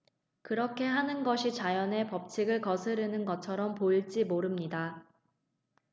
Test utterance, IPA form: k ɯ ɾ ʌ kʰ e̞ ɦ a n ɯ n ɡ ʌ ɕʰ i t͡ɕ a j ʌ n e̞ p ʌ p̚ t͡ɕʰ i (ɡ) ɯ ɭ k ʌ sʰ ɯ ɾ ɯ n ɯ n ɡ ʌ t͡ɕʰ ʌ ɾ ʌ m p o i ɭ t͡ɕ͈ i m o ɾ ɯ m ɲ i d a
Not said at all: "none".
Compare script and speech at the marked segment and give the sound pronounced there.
ɡ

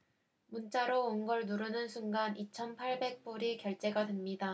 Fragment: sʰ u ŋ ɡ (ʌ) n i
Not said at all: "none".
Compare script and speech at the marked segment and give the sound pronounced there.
a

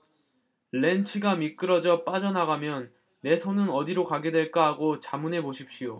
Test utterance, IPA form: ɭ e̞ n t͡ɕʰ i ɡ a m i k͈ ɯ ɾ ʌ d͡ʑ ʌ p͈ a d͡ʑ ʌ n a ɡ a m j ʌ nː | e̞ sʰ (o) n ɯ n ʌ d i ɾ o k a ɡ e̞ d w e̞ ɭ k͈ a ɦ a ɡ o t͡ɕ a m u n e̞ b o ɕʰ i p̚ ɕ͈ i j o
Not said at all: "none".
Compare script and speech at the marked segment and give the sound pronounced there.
o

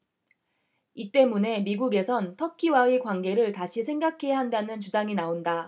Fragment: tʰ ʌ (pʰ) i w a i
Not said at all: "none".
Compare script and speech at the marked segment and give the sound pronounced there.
kʰ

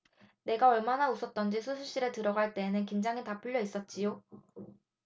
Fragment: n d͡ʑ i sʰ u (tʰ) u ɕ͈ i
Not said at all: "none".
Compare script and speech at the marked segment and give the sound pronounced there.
sʰ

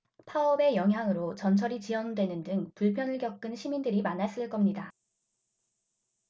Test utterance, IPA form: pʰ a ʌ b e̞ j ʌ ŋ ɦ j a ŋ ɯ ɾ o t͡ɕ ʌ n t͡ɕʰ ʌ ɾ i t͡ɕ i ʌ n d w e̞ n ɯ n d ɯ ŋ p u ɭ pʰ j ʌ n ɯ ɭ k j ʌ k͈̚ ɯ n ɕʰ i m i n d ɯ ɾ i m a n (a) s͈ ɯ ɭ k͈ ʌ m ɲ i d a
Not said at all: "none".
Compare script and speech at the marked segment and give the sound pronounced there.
a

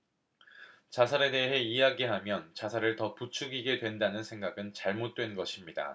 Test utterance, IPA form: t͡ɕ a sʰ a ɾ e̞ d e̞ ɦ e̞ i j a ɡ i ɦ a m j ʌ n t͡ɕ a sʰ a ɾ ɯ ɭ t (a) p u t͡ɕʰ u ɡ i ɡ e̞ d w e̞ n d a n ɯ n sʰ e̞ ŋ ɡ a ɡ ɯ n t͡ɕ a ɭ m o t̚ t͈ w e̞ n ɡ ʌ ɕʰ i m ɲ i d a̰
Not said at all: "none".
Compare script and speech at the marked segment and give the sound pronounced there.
ʌ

